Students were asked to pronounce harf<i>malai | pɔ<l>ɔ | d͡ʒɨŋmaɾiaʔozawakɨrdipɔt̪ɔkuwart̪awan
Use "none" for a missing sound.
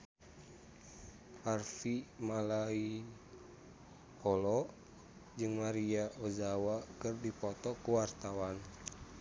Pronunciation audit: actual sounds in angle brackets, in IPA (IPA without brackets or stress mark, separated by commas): i, l